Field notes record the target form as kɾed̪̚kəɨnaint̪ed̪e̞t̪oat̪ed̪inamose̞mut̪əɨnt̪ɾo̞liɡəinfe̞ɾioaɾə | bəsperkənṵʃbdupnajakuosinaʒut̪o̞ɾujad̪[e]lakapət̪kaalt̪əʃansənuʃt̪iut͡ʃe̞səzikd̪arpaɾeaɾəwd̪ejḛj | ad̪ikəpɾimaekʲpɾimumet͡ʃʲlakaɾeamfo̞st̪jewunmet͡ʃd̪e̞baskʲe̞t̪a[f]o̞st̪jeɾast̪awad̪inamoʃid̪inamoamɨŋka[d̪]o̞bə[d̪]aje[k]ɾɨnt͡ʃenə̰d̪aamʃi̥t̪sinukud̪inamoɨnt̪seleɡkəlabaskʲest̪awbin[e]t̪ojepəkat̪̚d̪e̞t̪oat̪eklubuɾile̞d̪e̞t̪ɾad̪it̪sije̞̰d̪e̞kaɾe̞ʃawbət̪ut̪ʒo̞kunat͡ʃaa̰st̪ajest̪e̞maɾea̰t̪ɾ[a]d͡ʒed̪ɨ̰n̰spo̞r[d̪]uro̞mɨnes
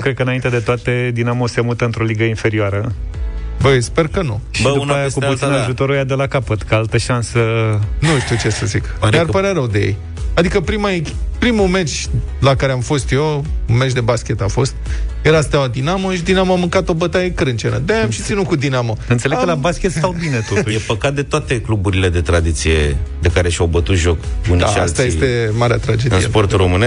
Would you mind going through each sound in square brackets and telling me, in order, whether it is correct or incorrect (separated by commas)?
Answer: correct, correct, incorrect, incorrect, correct, correct, correct, incorrect